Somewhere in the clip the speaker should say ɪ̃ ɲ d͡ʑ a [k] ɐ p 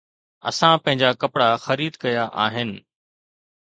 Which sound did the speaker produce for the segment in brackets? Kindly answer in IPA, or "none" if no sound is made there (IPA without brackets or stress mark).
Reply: k